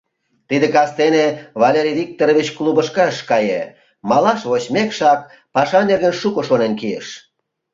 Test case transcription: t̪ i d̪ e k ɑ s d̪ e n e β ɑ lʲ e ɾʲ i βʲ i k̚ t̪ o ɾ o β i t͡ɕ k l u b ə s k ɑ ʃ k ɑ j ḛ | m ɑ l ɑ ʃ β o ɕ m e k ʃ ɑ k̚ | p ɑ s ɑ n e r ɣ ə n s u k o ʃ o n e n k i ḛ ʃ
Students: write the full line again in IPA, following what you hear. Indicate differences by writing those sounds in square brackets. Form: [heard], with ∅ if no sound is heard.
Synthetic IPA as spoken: t̪ i d̪ e k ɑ s [t̪] e n e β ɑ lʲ e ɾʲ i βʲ i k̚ t̪ o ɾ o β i t͡ɕ k l u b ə [ʃ] k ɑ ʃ k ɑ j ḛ | m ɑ l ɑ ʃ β o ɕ m e k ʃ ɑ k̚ | p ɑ [ʃ] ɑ n e r ɣ ə n [ʃ] u k o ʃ o n e n k i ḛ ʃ